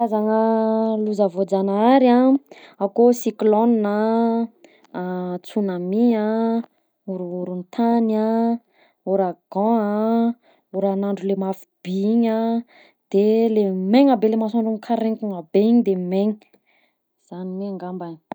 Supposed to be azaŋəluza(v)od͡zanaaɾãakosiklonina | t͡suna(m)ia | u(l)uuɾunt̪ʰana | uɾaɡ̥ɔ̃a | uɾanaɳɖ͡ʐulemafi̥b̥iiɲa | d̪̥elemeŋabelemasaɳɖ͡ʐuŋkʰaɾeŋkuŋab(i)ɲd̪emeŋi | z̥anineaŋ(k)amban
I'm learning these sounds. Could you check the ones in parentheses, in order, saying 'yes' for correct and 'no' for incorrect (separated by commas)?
yes, yes, no, no, no